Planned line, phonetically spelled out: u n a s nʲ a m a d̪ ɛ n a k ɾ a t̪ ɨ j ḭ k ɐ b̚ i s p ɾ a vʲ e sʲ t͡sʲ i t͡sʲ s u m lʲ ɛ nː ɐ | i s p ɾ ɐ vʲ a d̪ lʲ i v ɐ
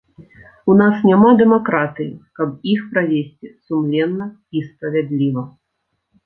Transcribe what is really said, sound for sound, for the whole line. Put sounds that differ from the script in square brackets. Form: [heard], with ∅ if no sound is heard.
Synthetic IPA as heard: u n a s nʲ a m a d̪ ɛ [m] a k ɾ a t̪ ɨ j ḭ k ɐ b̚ i [x] p ɾ a vʲ e sʲ t͡sʲ i [∅] s u m lʲ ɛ nː ɐ | i s p ɾ ɐ vʲ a d̪ lʲ i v ɐ